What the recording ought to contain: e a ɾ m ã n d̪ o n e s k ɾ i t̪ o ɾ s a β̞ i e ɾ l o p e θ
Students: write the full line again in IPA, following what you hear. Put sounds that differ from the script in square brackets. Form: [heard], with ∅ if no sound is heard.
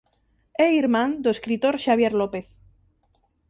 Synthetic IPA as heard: e [i] ɾ m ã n d̪ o [∅] e s k ɾ i t̪ o ɾ [ʃ] a β̞ [j] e ɾ l o p e θ